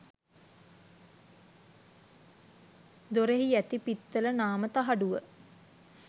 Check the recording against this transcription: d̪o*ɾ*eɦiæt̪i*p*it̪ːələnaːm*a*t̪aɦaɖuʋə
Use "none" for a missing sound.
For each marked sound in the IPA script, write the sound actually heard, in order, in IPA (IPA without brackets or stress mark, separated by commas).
ɾ, p, ə